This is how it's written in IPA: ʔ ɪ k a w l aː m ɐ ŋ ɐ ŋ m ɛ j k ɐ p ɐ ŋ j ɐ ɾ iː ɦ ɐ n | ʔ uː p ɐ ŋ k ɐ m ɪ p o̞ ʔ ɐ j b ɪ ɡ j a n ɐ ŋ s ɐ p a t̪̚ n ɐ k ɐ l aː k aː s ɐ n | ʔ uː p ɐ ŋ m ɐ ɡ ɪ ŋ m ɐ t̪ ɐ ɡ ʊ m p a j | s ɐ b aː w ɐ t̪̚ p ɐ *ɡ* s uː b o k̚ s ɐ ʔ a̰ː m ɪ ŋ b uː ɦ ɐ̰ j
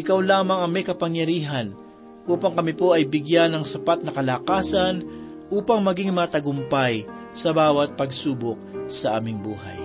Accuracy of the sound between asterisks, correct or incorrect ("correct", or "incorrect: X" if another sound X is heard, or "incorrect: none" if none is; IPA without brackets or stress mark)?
correct